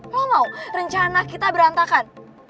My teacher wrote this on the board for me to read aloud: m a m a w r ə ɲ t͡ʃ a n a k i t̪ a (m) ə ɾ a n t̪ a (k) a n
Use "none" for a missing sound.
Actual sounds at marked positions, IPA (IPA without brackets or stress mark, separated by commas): b, k